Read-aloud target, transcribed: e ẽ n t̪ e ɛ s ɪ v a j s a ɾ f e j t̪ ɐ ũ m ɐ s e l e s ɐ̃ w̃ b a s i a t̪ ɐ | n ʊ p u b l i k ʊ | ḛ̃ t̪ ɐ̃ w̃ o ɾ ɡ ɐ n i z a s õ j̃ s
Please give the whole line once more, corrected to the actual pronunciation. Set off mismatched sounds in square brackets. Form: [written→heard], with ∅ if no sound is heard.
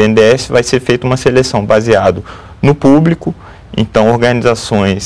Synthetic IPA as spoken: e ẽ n [t̪→d̪] e ɛ s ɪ v a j s [a→e] ɾ f e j t̪ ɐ ũ m ɐ s e l e s ɐ̃ w̃ b a [s→z] i a [t̪→d̪] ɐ | n ʊ p u b l i k ʊ | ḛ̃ t̪ ɐ̃ w̃ o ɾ ɡ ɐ n i z a s õ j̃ s